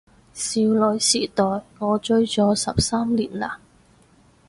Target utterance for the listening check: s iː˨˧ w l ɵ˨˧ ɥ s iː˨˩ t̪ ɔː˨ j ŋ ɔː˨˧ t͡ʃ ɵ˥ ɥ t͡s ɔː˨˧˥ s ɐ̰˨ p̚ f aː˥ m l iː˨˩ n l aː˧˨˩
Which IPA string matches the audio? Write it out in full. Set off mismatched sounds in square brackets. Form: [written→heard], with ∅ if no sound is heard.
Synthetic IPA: s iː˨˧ w l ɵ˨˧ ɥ s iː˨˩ t̪ ɔː˨ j ŋ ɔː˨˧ t͡ʃ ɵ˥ ɥ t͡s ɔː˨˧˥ s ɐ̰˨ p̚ [f→s] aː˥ m l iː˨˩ n l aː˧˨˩